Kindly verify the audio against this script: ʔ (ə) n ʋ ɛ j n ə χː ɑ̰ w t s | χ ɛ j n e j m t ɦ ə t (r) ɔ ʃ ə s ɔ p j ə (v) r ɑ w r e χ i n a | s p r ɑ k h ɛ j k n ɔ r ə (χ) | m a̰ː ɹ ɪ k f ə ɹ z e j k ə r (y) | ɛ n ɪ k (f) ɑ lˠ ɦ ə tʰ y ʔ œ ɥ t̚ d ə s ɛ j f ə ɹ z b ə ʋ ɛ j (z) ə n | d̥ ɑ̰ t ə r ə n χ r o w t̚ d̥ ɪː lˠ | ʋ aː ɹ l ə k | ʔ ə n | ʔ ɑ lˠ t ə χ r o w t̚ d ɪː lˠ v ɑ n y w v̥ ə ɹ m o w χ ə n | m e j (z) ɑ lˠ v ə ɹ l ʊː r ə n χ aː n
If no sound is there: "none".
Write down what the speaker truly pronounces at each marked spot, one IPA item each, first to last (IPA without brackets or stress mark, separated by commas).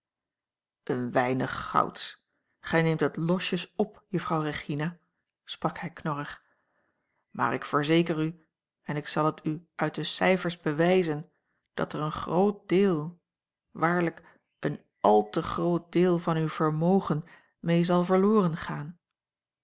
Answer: ə, l, f, χ, y, s, z, z